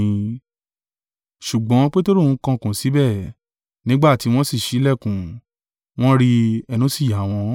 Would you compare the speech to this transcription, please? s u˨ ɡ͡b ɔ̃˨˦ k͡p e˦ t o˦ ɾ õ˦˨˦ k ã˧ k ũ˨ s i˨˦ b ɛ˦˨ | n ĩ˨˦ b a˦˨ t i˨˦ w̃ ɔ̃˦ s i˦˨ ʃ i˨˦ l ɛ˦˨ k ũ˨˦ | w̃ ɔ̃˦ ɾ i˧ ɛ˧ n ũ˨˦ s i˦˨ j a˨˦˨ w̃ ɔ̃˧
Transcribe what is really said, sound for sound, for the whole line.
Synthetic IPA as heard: ʃ u˨ ɡ͡b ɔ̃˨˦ k͡p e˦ t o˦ ɾ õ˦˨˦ k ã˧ k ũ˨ s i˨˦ b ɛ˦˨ | n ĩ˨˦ ɡ͡b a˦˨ t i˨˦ w̃ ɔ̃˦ s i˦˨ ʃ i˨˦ l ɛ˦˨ k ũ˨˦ | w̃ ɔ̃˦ ɾ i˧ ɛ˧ n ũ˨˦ s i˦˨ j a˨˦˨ w̃ ɔ̃˧